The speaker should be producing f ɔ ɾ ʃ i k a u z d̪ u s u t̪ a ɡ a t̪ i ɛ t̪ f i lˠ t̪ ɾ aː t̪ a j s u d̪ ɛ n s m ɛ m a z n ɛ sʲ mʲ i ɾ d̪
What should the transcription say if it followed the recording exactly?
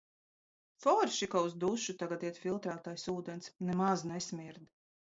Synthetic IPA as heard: f ɔ ɾ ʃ i k a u z d̪ u ʃ u t̪ a ɡ a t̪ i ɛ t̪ f i lˠ t̪ ɾ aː t̪ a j s uː d̪ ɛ n s n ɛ m a z n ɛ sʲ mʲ i ɾ d̪